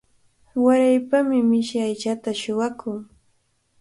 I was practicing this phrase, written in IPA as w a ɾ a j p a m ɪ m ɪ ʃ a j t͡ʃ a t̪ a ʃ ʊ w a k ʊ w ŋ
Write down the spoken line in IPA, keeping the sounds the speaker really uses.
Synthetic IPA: w a ɾ a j p a m ɪ m ɪ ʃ a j t͡ʃ a t̪ a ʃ ʊ w a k ʊ ŋ